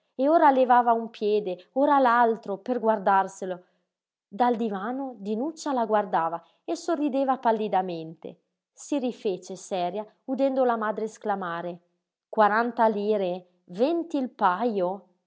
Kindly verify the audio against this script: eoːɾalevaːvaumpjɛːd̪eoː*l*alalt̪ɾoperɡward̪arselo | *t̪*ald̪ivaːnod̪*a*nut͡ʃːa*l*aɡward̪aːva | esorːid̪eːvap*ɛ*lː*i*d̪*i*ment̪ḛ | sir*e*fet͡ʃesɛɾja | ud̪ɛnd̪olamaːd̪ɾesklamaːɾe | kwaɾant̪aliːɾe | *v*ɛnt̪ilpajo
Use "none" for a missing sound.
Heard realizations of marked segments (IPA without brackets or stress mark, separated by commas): ɾ, d̪, i, l, a, i, a, i, v